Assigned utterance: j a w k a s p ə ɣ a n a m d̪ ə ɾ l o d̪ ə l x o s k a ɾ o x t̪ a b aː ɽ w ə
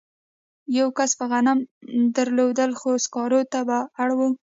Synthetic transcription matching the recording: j a w k a s p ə ɣ a n a m d̪ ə ɾ l o d̪ ə l x o s k ɑ ɾ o t̪ a b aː ɽ w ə